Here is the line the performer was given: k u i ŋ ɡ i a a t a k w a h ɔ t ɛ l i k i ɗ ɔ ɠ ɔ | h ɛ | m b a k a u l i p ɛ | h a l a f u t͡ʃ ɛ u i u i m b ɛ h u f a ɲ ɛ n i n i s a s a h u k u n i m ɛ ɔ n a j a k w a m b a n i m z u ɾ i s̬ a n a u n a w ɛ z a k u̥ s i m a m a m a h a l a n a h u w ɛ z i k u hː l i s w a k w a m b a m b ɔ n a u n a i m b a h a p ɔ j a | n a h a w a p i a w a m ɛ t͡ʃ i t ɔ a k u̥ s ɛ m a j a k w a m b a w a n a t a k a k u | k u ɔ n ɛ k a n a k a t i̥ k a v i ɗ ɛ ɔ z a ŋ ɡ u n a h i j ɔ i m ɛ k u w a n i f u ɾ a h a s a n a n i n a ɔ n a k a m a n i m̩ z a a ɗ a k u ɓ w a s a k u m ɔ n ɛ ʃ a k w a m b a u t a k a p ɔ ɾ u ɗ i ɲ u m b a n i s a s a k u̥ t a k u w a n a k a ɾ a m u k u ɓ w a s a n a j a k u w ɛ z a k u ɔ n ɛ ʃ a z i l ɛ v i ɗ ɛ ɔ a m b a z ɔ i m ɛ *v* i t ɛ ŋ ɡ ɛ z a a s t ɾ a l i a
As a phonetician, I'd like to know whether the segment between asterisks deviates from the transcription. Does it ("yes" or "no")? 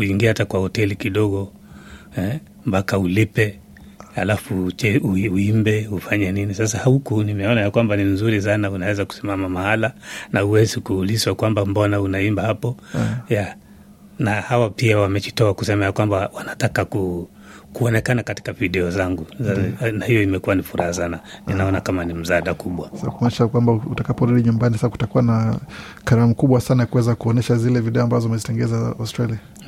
yes